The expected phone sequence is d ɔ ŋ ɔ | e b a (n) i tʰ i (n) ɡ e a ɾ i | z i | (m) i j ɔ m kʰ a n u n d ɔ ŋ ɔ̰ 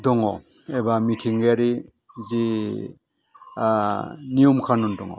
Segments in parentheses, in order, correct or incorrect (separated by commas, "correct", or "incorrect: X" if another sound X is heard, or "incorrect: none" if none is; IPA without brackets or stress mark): incorrect: m, incorrect: ŋ, incorrect: n